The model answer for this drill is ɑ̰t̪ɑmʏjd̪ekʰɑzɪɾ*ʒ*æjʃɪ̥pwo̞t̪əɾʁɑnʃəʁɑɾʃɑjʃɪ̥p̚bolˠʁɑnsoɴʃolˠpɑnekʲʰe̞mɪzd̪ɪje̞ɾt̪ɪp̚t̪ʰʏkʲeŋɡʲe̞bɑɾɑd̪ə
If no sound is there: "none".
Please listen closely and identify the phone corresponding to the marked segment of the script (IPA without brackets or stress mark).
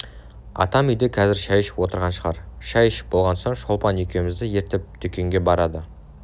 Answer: ʃ